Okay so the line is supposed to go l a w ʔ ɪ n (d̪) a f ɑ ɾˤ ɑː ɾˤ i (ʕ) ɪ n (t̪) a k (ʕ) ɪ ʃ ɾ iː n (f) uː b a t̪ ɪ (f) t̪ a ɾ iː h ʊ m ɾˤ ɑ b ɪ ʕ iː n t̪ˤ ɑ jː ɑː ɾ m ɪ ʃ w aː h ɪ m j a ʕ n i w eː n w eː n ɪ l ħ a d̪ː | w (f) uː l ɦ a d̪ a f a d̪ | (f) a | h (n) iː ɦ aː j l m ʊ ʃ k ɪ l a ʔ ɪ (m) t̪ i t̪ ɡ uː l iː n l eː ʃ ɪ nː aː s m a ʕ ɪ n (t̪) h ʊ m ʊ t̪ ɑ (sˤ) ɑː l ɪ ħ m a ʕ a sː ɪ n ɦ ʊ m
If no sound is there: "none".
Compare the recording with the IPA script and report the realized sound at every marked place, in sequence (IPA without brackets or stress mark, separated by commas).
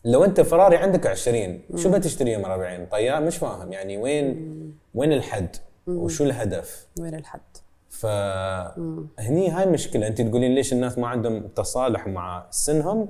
t̪, ʕ, d̪, ʕ, ʃ, ʃ, ʃ, f, n, n, d̪, sˤ